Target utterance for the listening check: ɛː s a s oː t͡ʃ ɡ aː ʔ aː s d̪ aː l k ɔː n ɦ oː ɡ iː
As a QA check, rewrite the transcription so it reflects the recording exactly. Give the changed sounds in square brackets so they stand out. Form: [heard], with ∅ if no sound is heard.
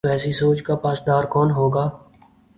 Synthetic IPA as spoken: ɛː s [i] s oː t͡ʃ [k] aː [p] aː s d̪ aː [ɾ] k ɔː n ɦ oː ɡ [aː]

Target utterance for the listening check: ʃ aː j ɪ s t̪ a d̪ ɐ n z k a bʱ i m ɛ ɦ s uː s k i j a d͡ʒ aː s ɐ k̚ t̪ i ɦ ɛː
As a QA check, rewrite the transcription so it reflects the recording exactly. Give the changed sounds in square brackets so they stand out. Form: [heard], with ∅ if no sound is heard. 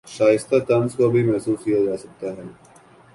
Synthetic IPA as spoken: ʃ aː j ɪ s t̪ a [t̪] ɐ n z k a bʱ i m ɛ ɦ s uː s k i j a d͡ʒ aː s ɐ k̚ t̪ [a] ɦ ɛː

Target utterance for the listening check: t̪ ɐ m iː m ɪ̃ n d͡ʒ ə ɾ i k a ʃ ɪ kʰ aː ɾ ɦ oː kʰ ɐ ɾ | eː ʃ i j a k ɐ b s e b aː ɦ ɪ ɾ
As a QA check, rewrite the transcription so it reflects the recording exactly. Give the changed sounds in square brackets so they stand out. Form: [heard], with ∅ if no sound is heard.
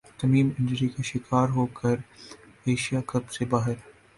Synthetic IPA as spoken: t̪ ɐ m iː m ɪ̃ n d͡ʒ ə ɾ i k a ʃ ɪ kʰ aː ɾ ɦ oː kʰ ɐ ɾ | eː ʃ i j a k ɐ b s e b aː ɦ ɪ ɾ

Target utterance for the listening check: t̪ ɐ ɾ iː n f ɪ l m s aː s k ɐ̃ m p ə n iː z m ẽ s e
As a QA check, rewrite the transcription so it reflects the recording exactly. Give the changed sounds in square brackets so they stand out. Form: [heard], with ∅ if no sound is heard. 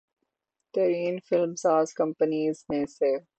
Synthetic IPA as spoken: t̪ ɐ ɾ iː n f ɪ l m s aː [z] k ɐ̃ m p ə n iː z m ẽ s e

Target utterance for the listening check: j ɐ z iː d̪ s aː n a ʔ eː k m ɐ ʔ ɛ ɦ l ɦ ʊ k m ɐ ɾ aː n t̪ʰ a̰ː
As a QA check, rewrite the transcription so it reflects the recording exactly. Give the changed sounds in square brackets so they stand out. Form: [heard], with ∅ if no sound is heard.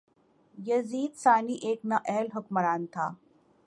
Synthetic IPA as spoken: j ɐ z iː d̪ s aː n [i] ʔ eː k [n] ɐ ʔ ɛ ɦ l ɦ ʊ k m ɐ ɾ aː n t̪ʰ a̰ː

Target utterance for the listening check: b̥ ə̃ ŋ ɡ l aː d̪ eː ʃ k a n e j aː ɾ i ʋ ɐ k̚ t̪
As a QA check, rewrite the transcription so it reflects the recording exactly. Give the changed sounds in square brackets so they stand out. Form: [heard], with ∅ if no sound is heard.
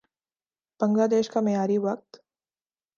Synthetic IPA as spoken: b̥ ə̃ ŋ ɡ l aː d̪ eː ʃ k a [m] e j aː ɾ i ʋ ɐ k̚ t̪

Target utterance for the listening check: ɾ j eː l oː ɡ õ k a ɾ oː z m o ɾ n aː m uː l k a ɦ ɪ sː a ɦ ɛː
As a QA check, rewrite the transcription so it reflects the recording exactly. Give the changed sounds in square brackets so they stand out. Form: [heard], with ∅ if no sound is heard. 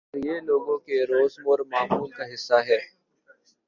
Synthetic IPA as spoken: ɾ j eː l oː ɡ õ k [e] ɾ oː z m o ɾ [m] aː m uː l k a ɦ ɪ sː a ɦ ɛː

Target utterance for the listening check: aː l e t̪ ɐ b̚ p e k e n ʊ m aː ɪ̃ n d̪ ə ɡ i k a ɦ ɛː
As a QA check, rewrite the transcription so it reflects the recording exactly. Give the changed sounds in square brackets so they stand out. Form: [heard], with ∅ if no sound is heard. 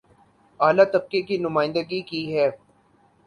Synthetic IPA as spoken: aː l [a] t̪ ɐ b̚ [k] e k [i] n ʊ m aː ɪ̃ n d̪ ə ɡ i k [i] ɦ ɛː

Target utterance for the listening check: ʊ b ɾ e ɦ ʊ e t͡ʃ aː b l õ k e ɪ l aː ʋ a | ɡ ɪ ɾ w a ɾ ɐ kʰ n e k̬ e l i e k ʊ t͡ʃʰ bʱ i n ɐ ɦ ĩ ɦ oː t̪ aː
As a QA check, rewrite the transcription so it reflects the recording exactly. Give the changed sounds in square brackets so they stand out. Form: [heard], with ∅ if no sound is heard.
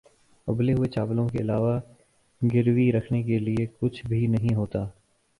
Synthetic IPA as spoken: ʊ b [l] e ɦ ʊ e t͡ʃ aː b l õ k e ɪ l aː ʋ a | ɡ ɪ ɾ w [i] ɾ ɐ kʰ n e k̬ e l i e k ʊ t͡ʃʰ bʱ i n ɐ ɦ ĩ ɦ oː t̪ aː

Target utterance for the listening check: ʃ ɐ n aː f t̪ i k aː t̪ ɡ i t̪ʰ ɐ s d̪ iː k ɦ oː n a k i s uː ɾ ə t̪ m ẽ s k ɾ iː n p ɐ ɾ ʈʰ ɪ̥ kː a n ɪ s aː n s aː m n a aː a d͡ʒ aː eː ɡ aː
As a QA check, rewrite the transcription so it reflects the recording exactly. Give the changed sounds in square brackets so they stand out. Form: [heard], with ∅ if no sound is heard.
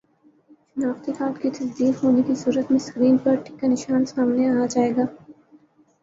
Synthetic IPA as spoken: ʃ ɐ n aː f t̪ i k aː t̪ [k] i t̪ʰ ɐ s d̪ iː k ɦ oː n [e] k i s uː ɾ ə t̪ m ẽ s k ɾ iː n p ɐ ɾ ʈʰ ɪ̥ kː a n ɪ [ʃ] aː n s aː m n [e] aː a d͡ʒ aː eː ɡ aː

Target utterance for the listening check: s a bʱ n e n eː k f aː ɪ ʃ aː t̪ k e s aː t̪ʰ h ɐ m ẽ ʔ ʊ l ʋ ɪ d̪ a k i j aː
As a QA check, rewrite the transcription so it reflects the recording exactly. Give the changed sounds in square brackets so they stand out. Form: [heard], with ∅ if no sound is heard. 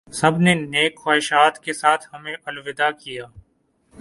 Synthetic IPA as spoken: s [ɐ] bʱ n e n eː k [x] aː ɪ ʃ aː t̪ k e s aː t̪ʰ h ɐ m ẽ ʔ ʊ l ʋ ɪ d̪ a k i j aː

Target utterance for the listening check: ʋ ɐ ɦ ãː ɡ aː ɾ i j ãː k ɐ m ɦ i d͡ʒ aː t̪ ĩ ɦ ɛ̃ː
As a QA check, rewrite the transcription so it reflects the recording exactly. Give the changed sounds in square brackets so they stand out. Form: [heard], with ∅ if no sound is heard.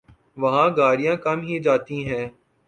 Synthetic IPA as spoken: ʋ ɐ ɦ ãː ɡ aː ɾ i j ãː k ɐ m ɦ i d͡ʒ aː t̪ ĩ ɦ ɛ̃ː

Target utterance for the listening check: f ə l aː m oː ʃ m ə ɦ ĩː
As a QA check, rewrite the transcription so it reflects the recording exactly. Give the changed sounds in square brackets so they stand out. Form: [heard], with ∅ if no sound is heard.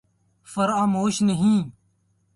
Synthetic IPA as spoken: f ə [ɾ] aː m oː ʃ [n] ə ɦ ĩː

